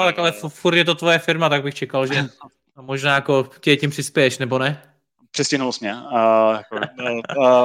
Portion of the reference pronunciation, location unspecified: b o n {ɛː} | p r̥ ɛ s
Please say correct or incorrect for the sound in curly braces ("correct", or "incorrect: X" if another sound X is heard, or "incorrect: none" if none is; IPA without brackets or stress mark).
incorrect: ɛ